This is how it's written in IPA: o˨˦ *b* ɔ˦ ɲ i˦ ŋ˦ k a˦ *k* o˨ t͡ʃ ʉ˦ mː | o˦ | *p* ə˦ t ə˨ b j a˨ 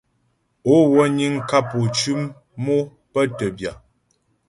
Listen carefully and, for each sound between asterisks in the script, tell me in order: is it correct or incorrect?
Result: incorrect: w, incorrect: p, correct

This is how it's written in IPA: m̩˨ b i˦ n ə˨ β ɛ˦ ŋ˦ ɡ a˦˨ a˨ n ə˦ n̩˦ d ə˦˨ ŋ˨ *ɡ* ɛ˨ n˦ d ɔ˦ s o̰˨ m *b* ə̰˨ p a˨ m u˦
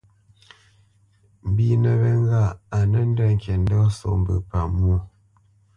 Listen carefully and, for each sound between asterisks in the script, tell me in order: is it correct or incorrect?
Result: incorrect: k, correct

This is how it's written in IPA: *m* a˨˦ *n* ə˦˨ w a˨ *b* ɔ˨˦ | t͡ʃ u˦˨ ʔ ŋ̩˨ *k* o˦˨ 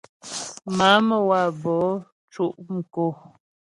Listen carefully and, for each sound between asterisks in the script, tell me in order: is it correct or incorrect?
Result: correct, incorrect: m, correct, correct

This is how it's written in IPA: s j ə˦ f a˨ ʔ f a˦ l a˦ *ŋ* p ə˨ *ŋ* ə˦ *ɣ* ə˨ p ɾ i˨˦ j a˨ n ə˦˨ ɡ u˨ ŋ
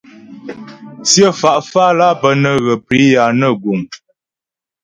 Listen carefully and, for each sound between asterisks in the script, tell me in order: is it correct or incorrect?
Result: incorrect: none, incorrect: n, correct

